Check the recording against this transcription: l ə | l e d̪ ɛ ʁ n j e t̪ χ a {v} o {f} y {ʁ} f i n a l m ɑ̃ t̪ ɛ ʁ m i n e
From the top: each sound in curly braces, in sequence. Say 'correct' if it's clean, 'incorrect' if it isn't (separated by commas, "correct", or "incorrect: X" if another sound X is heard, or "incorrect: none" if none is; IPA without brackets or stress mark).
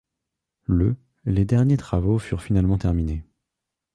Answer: correct, correct, correct